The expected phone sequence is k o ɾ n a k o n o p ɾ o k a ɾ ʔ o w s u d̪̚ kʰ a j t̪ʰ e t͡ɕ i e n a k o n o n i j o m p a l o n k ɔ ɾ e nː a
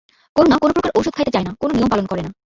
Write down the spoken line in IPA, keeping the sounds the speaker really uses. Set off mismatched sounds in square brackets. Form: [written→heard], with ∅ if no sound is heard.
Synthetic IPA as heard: k o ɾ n a k o n o p ɾ o k a ɾ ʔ o w [s→ʃ] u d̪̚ kʰ a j [t̪ʰ→t̪] e t͡ɕ [i→a] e n a k o n o n i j o m p a l o n k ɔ ɾ e [nː→n] a